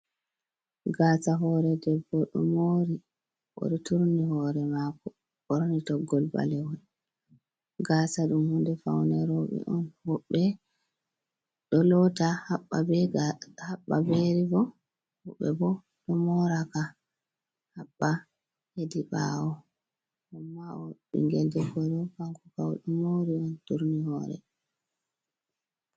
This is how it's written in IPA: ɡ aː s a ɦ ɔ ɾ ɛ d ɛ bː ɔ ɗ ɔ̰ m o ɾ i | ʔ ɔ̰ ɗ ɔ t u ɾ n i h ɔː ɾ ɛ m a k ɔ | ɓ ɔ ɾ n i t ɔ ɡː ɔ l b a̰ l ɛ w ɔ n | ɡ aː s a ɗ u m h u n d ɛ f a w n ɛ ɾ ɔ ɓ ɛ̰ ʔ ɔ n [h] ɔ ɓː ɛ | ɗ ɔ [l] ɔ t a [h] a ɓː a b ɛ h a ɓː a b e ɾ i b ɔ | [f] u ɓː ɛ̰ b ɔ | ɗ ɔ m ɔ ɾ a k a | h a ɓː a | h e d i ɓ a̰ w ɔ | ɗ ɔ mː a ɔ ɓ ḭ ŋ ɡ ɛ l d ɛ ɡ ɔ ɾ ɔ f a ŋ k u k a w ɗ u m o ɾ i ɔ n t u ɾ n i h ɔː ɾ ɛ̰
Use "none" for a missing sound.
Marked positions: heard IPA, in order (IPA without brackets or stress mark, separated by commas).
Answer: h, l, h, h